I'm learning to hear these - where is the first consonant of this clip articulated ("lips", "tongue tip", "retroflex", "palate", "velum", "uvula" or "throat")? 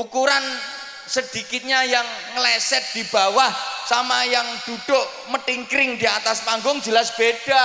velum